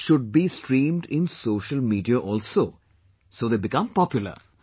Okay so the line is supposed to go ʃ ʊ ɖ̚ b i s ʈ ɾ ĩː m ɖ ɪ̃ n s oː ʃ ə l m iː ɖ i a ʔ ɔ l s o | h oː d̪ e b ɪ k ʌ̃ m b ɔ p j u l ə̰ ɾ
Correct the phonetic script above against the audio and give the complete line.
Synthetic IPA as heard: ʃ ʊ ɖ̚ b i s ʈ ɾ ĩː m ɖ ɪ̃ n s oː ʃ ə l m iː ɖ i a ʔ ɔ l s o | s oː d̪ e b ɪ k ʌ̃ m p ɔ p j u l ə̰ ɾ